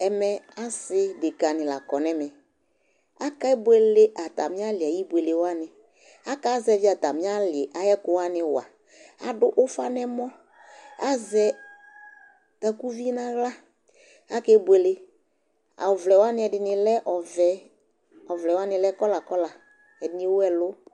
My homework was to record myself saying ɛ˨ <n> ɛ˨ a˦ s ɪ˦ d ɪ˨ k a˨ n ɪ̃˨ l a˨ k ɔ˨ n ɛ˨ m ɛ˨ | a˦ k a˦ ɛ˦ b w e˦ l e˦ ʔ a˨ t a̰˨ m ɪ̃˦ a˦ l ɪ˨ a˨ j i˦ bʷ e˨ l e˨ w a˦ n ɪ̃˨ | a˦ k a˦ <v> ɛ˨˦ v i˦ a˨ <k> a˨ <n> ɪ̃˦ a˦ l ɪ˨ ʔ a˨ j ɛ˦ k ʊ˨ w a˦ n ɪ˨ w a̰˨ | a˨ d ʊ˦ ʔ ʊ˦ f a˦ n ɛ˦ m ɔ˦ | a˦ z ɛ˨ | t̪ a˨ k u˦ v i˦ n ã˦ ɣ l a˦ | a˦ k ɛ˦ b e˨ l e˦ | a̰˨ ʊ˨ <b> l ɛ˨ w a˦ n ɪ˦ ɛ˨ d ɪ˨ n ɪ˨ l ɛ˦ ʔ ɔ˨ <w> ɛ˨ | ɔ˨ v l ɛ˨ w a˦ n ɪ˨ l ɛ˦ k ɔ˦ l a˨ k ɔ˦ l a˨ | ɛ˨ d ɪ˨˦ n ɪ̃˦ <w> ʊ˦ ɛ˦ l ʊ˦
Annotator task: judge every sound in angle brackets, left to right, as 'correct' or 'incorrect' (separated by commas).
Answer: incorrect, incorrect, incorrect, incorrect, incorrect, incorrect, correct